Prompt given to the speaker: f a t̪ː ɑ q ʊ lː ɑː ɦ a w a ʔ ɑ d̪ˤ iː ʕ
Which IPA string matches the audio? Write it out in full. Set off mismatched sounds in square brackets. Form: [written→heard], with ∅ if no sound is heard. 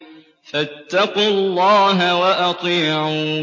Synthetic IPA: f a t̪ː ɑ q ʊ lː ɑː ɦ a w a ʔ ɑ [d̪ˤ→t̪ˤ] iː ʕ